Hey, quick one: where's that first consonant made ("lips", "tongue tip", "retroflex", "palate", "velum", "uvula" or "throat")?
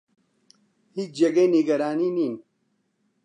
throat